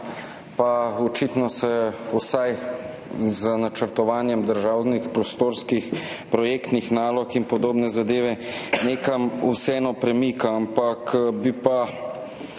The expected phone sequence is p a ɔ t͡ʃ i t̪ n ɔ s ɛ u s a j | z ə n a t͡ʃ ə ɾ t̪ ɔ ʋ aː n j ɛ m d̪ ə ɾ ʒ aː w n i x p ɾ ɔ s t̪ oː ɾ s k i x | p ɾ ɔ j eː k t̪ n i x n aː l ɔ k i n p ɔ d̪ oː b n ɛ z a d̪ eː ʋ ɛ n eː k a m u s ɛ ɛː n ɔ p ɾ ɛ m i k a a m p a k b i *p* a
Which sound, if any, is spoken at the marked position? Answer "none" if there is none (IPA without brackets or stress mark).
p